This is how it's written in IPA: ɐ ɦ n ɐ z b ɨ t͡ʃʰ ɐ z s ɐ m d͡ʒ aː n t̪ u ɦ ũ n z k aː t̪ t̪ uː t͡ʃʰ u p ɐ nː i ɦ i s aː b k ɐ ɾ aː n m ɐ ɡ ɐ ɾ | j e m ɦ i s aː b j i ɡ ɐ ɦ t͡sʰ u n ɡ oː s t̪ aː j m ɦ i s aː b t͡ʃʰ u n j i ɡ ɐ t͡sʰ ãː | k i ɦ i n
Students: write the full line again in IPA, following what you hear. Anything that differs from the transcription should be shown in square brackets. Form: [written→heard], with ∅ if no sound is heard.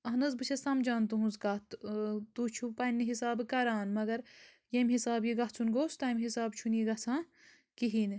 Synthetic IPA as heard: ɐ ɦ n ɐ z b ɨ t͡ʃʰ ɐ [z→∅] s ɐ m d͡ʒ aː n t̪ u ɦ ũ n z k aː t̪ t̪ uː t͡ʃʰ u p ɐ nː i ɦ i s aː b k ɐ ɾ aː n m ɐ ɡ ɐ ɾ | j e m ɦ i s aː b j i ɡ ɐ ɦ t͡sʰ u n ɡ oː s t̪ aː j m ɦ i s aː b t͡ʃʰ u n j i ɡ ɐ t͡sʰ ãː | k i ɦ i n

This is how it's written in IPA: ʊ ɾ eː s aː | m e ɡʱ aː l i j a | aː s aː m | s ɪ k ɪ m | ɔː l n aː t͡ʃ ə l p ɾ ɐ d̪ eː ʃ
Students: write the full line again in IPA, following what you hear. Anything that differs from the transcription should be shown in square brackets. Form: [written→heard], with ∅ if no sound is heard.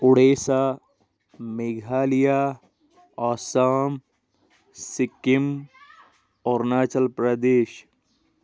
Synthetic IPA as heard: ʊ [ɾ→ɽ] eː s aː | m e ɡʱ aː l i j a | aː s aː m | s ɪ k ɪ m | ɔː [l→ɾ] n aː t͡ʃ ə l p ɾ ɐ d̪ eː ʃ

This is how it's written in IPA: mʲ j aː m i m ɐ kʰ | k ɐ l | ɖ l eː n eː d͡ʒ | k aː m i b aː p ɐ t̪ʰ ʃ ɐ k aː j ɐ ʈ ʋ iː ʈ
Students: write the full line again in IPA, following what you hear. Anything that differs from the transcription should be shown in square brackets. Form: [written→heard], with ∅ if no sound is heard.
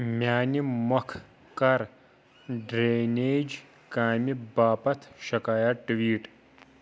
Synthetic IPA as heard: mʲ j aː [m→n] i m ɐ kʰ | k ɐ [l→ɾ] | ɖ [l→ɾ] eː n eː d͡ʒ | k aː m i b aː p ɐ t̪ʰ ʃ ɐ k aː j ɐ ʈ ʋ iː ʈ

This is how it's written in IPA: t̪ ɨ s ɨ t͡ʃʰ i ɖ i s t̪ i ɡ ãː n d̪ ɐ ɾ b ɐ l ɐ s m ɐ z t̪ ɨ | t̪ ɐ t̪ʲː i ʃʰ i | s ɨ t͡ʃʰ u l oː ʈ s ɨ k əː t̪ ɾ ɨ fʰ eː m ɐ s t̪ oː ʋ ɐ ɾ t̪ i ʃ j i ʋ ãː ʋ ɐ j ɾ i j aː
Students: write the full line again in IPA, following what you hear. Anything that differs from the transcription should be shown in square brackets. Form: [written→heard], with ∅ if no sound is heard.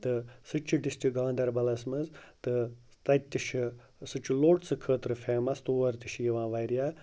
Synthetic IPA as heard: t̪ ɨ s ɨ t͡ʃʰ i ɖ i s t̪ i ɡ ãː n d̪ ɐ ɾ b ɐ l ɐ s m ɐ z t̪ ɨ | t̪ ɐ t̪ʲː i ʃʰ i | s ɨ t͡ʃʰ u l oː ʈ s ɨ [k→kʰ] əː t̪ ɾ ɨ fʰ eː m ɐ s t̪ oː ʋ ɐ ɾ t̪ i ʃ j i ʋ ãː ʋ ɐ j ɾ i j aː

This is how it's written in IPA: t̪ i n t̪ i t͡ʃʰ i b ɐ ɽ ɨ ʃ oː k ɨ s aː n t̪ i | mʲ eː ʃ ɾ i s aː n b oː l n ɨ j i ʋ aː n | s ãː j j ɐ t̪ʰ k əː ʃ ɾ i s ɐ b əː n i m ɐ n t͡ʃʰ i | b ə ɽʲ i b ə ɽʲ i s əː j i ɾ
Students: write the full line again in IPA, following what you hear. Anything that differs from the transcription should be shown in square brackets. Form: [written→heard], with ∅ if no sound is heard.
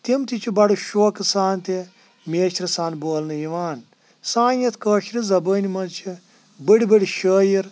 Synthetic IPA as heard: t̪ i [n→m] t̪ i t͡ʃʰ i b ɐ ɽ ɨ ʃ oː k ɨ s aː n t̪ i | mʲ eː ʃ ɾ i s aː n b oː l n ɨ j i ʋ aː n | s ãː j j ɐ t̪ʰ k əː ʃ ɾ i [s→z] ɐ b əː n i m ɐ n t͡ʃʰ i | b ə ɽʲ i b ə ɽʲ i [s→ʃ] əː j i ɾ

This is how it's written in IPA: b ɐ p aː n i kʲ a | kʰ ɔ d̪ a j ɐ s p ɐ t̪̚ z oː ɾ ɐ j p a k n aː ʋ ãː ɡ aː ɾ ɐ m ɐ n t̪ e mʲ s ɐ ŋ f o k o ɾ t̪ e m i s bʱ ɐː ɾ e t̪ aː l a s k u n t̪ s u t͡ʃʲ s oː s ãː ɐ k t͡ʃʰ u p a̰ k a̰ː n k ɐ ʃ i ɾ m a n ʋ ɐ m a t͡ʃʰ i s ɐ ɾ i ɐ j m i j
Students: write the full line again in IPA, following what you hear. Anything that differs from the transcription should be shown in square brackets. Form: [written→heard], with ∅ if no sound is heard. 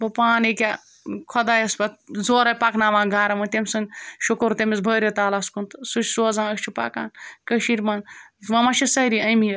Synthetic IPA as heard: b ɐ p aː n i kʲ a | kʰ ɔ d̪ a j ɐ s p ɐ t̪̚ z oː ɾ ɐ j p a k n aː ʋ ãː ɡ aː ɾ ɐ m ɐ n t̪ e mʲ s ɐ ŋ [f→ʃ] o k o ɾ t̪ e m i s bʱ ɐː ɾ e t̪ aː l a s k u n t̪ s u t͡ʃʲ s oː [s→z] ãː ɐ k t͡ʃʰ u p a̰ k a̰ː n k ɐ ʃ i ɾ m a n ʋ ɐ m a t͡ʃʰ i s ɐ ɾ i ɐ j m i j

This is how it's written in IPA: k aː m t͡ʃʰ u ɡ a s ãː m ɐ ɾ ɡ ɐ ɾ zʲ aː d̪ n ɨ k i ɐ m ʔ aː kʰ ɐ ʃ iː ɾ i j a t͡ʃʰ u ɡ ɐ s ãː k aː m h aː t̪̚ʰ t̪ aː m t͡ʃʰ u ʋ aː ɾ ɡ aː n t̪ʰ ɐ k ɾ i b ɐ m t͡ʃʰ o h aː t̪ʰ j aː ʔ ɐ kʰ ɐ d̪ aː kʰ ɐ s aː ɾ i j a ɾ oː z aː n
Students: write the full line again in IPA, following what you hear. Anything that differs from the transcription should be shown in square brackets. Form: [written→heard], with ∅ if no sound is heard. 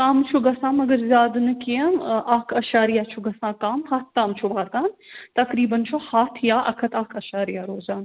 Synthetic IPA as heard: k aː m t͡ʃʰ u ɡ [a→ɐ] s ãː m ɐ [ɾ→∅] ɡ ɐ ɾ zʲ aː d̪ n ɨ k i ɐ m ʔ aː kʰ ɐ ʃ [iː→aː] ɾ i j a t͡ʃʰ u ɡ ɐ s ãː k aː m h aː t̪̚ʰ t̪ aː m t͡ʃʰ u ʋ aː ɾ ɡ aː n [t̪ʰ→t̪] ɐ k ɾ [i→iː] b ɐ [m→n] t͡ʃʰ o h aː t̪ʰ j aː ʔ ɐ kʰ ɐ [d̪→t̪] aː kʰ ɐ [s→ʃ] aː ɾ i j a ɾ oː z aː n

